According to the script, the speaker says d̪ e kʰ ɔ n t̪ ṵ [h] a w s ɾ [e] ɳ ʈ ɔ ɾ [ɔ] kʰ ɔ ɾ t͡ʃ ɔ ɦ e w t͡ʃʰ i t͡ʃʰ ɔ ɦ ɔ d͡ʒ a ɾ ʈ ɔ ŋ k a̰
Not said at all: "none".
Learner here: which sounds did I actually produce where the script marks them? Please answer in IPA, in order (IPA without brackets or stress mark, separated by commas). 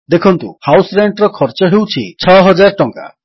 h, e, ɔ